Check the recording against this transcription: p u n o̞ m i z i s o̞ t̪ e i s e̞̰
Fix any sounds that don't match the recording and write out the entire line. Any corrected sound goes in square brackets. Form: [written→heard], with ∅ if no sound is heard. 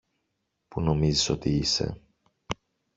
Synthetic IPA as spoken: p u n o̞ m i z i s o̞ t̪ [e→i] i s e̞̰